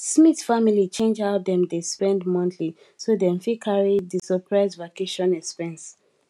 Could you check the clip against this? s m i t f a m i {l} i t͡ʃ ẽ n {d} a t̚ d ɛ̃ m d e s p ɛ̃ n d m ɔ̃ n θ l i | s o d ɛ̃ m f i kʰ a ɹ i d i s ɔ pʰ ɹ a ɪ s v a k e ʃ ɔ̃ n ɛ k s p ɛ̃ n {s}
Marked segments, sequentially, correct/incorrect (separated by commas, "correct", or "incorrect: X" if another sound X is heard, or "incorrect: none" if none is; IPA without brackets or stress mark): correct, incorrect: d͡ʒ, correct